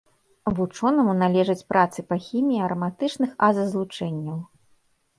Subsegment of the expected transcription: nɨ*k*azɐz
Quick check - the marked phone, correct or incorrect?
incorrect